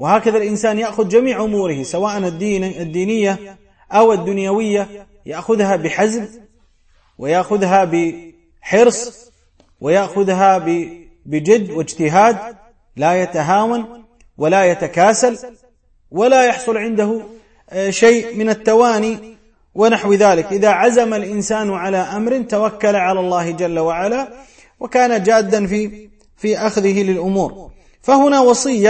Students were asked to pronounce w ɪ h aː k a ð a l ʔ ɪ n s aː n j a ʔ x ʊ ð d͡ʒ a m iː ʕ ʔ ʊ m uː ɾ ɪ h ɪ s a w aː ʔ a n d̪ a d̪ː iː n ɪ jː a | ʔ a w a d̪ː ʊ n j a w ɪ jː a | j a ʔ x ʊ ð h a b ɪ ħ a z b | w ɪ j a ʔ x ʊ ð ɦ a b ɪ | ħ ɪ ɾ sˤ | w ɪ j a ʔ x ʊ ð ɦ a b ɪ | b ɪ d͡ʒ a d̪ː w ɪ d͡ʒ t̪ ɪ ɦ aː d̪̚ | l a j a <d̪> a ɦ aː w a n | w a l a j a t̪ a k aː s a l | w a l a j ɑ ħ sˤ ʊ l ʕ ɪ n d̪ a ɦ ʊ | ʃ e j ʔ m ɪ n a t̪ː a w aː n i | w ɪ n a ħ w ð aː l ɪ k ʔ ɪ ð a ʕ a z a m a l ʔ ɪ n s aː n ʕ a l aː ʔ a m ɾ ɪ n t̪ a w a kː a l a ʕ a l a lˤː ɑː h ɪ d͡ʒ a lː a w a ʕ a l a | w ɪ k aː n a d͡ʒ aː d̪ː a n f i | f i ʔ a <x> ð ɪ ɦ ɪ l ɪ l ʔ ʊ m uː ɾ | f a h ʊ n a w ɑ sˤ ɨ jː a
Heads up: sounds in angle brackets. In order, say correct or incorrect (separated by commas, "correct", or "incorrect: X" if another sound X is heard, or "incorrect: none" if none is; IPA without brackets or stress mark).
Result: incorrect: t̪, correct